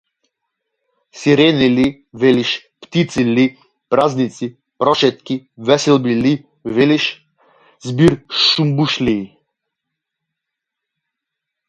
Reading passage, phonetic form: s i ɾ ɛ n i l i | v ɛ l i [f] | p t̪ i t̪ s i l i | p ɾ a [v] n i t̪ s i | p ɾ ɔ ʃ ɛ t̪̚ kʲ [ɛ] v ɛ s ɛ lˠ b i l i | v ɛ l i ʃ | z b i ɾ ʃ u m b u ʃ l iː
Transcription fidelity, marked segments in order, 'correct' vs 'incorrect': incorrect, incorrect, incorrect

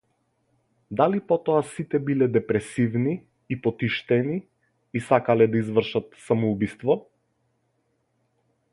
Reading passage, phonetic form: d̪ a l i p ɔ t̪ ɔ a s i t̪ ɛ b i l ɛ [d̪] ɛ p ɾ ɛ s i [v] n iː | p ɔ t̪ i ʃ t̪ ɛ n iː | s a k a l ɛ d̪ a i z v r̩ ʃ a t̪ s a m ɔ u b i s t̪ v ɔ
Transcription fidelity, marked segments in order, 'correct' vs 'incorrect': correct, correct

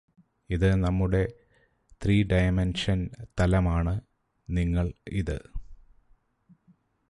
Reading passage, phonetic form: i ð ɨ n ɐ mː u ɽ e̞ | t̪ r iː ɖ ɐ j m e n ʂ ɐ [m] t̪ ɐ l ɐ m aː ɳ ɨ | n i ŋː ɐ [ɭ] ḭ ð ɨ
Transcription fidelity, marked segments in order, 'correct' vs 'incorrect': incorrect, correct

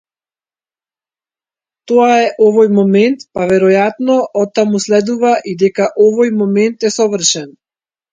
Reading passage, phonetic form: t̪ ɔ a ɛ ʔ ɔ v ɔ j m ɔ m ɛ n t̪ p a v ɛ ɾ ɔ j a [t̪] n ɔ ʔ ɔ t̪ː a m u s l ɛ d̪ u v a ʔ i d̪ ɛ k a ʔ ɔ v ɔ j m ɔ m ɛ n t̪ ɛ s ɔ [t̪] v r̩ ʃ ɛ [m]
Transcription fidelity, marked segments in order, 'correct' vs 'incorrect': correct, incorrect, incorrect

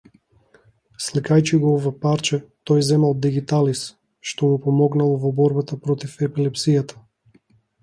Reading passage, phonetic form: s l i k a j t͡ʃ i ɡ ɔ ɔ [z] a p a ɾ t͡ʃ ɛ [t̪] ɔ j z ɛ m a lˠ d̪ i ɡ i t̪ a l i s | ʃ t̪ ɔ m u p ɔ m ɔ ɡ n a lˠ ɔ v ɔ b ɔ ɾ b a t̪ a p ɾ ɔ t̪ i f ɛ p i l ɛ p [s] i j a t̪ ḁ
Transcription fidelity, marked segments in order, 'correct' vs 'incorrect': incorrect, correct, correct

